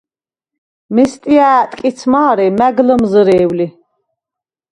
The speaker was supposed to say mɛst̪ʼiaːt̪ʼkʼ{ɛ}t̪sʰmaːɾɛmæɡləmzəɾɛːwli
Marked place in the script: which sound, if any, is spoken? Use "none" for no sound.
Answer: i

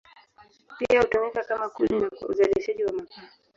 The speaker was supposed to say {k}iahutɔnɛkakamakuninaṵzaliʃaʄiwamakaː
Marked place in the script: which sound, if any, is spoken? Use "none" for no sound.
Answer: p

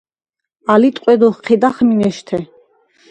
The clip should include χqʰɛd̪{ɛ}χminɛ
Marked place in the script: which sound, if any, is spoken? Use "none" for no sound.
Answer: a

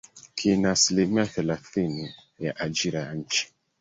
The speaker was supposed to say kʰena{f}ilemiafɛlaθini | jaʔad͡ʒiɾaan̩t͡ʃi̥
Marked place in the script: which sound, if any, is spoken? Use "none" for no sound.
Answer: s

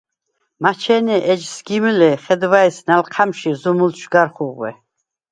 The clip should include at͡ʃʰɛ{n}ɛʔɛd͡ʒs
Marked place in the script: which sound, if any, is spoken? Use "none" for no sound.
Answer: n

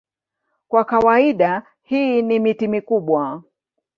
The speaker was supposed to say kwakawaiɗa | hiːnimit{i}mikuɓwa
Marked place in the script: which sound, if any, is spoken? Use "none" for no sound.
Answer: i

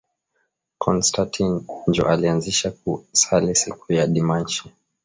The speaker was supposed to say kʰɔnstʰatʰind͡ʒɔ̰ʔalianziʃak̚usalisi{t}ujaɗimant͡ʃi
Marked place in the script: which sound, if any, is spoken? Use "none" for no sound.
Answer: k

